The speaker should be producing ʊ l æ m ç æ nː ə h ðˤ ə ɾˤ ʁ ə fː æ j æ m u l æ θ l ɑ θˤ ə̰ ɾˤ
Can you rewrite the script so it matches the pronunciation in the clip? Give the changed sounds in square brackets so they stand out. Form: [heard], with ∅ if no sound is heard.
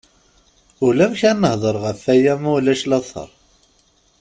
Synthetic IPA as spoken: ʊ l æ m ç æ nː ə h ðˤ ə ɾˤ ʁ ə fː æ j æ m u l æ [ʃ] l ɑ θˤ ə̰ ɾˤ